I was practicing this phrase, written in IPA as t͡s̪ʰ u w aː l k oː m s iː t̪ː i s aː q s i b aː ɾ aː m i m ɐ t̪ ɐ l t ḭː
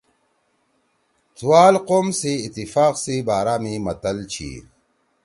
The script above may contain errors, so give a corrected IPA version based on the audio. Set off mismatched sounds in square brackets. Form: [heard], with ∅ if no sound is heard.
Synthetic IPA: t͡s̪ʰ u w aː l [q] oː m s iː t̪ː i [f] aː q s i b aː ɾ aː m i m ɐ t̪ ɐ l [t͡ɕʰ] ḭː